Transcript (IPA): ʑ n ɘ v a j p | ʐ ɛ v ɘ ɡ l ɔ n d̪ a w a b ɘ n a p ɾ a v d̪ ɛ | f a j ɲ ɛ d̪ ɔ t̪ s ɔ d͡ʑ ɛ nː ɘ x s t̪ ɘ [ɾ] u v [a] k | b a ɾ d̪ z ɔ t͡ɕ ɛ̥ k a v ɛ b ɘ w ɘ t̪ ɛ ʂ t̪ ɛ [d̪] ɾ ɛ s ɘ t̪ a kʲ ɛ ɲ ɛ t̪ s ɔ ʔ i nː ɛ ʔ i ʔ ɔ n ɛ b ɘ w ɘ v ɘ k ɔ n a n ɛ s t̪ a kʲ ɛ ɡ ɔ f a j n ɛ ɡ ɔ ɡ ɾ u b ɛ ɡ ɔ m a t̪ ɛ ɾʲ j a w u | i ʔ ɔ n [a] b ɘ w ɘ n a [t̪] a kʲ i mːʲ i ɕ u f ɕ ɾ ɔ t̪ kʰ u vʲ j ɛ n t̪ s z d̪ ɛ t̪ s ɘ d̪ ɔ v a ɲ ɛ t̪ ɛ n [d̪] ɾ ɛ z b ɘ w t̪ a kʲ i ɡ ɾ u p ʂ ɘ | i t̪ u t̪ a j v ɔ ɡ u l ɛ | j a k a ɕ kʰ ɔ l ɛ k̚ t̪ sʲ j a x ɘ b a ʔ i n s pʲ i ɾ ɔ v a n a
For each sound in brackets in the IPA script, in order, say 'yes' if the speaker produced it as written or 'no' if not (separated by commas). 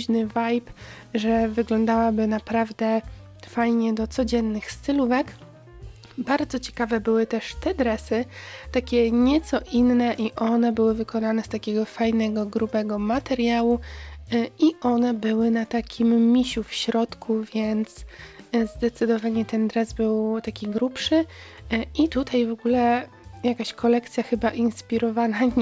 no, no, yes, no, yes, yes